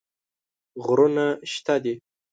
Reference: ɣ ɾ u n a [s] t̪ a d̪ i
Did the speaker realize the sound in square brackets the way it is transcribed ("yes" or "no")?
no